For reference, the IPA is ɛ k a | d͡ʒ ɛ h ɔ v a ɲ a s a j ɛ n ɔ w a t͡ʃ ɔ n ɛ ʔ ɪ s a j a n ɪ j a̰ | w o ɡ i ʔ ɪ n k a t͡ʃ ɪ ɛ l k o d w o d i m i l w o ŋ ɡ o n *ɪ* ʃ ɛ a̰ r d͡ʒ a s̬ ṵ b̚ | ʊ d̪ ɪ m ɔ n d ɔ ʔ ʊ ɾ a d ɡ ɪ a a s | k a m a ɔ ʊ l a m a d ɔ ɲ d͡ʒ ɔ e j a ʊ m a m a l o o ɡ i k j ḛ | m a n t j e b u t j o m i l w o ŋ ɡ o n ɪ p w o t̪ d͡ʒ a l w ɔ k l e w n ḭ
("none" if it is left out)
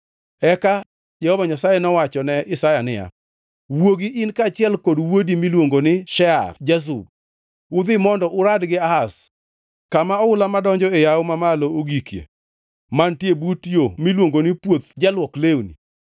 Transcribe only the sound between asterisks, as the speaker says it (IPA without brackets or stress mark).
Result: ɪ